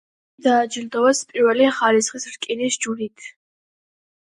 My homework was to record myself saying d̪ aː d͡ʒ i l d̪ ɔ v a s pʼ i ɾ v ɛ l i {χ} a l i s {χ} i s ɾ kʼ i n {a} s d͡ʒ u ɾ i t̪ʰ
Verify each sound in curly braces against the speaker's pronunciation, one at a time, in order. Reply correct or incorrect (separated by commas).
correct, correct, incorrect